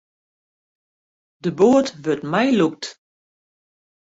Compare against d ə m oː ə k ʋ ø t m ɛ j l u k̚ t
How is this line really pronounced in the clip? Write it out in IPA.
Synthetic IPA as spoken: d ə b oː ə t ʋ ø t m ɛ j l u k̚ t